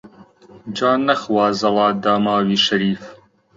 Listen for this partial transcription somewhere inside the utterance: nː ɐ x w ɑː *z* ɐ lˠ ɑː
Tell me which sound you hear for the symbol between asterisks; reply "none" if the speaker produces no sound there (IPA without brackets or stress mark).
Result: z